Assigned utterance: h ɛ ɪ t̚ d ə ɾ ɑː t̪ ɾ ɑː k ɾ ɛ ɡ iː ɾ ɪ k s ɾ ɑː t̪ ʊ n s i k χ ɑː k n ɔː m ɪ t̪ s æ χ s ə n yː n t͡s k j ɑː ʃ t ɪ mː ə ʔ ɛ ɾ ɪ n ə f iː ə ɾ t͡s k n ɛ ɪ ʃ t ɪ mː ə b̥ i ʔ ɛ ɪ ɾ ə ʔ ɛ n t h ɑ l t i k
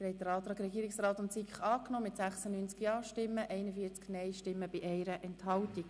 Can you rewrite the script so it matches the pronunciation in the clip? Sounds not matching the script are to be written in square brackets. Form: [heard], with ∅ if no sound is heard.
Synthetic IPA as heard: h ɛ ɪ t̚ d ə ɾ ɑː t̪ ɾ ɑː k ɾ ɛ ɡ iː ɾ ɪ k s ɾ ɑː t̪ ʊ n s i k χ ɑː k n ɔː m ɪ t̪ s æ χ s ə n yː n t͡s k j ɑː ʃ t ɪ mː ə ʔ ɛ [∅] ɪ n ə f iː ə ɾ t͡s k n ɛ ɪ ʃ t ɪ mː ə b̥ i ʔ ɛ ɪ ɾ ə ʔ ɛ n t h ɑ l t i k